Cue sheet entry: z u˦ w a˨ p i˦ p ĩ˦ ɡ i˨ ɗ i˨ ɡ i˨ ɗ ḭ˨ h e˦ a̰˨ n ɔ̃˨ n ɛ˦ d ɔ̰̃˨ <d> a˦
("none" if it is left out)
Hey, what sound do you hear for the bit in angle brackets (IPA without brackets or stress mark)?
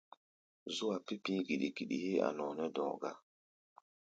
ɡ